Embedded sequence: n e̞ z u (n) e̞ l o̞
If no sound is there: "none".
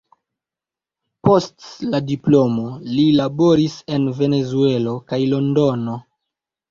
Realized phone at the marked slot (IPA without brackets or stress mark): none